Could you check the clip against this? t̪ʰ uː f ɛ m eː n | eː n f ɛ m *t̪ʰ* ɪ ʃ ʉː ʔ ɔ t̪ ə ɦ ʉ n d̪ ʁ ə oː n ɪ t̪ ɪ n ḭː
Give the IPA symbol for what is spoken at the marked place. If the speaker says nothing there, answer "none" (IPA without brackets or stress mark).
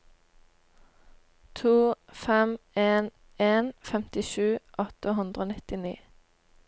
t̪